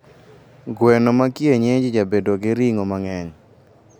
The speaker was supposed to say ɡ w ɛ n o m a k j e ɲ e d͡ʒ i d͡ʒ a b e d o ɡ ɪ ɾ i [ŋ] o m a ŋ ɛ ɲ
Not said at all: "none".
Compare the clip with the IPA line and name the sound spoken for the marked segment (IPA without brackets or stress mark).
ŋ